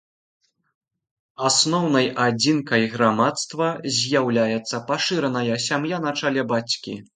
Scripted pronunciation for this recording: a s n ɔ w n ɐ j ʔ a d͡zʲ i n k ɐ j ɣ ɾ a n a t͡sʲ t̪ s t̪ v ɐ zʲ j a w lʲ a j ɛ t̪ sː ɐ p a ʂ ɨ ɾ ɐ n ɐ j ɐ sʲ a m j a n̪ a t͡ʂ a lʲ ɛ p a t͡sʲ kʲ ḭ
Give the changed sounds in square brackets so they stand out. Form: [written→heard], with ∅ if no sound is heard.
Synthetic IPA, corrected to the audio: a s n ɔ w n ɐ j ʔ a d͡zʲ i n k ɐ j ɣ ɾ a [n→m] a [t͡sʲ→∅] t̪ s t̪ v ɐ zʲ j a w lʲ a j ɛ t̪ sː ɐ p a ʂ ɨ ɾ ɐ n ɐ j ɐ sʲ a m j a n̪ a t͡ʂ a lʲ ɛ [p→b] a t͡sʲ kʲ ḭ